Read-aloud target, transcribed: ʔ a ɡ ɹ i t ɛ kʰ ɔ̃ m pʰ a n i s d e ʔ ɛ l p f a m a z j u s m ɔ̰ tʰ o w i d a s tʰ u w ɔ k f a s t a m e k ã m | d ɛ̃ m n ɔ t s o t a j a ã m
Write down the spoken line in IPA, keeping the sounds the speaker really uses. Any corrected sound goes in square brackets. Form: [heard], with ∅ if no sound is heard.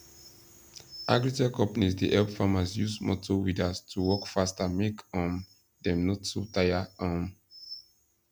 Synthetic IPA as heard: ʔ a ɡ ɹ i t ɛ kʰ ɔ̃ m [p] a n i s d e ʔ ɛ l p f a m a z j u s m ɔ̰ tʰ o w i d a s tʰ u w ɔ k f a s t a m e k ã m | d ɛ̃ m n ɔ t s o t a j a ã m